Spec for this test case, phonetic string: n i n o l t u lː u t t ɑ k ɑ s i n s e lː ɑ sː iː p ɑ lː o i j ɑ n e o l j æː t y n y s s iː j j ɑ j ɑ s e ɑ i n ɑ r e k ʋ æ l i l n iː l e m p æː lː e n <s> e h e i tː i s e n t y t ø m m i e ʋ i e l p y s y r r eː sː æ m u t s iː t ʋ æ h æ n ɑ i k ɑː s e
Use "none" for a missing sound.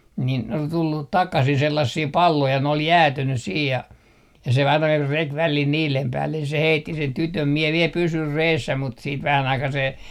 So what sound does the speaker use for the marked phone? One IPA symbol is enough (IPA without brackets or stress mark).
s